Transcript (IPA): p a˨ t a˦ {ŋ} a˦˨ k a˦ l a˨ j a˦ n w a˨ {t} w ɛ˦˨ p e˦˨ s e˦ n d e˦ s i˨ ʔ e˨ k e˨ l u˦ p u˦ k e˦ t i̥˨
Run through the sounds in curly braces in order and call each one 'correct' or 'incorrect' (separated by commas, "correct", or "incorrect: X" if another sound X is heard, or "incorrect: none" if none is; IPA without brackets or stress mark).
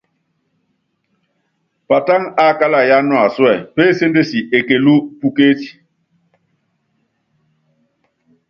correct, incorrect: s